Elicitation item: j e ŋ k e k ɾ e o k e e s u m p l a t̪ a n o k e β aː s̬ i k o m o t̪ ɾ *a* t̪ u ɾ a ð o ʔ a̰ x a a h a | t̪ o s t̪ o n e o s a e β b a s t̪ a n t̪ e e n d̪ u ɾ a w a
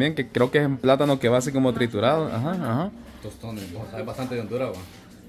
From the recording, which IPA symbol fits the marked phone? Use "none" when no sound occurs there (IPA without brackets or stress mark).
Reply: i